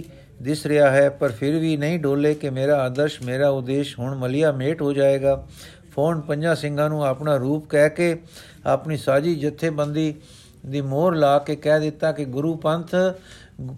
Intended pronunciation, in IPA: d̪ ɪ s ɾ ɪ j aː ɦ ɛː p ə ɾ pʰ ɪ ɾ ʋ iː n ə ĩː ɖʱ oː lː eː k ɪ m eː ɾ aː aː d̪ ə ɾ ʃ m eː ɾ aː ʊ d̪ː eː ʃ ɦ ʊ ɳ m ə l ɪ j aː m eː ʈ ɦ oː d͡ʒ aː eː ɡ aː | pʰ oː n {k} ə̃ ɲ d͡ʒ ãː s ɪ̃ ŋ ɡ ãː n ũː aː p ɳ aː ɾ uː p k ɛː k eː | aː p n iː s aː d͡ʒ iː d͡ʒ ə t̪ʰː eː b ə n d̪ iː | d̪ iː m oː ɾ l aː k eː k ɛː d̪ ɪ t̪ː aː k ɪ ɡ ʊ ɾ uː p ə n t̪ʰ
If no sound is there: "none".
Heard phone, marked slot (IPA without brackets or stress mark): p